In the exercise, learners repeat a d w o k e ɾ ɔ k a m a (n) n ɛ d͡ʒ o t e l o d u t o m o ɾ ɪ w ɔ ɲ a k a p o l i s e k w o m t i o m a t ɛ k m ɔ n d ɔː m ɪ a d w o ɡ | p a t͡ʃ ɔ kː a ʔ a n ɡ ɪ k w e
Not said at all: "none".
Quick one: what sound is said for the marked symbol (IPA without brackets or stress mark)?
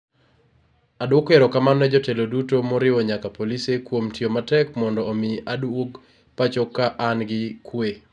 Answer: n